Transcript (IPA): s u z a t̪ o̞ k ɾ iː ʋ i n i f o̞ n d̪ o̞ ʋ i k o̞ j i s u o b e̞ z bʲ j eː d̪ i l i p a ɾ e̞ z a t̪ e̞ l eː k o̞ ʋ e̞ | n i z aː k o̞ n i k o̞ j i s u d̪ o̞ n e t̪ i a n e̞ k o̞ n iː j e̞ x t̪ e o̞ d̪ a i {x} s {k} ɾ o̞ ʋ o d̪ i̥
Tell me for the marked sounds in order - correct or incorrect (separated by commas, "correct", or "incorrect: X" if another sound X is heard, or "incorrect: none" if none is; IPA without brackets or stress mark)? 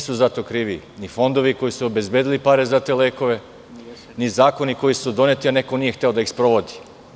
correct, incorrect: p